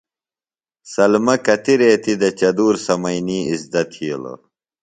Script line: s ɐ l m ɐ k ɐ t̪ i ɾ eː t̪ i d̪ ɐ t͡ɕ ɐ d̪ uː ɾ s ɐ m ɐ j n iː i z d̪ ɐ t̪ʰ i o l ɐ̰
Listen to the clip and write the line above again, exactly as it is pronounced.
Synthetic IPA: s ɐ l m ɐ k ɐ t̪ i ɾ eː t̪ i d̪ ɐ t͡ɕ ɐ d̪ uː ɾ s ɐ m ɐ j n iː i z d̪ ɐ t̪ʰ i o l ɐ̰